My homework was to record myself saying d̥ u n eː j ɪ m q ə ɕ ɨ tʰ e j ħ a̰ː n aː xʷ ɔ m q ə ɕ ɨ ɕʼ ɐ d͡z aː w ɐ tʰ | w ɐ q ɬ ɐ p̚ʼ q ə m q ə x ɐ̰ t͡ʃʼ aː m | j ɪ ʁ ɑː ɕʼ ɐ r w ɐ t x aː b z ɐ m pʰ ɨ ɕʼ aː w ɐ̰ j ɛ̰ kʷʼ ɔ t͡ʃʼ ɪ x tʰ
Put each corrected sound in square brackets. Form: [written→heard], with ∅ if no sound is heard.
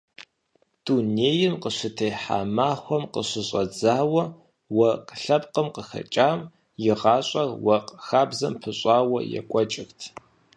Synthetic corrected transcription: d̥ u n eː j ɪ m q ə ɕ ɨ tʰ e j ħ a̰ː [n→m] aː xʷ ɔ m q ə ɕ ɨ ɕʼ ɐ d͡z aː w ɐ [tʰ→∅] | w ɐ q ɬ ɐ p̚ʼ q ə m q ə x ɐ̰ t͡ʃʼ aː m | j ɪ ʁ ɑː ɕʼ ɐ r w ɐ [t→q] x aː b z ɐ m pʰ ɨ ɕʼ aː w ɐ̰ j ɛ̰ kʷʼ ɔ t͡ʃʼ ɪ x tʰ